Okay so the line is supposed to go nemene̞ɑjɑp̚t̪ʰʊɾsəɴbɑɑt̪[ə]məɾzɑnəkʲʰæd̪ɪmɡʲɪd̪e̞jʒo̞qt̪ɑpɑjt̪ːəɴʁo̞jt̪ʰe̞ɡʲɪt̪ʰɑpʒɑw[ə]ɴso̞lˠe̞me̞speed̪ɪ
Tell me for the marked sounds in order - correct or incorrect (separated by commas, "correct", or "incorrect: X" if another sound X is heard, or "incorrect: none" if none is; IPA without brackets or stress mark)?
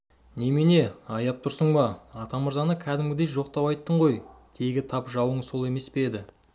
incorrect: ɑ, correct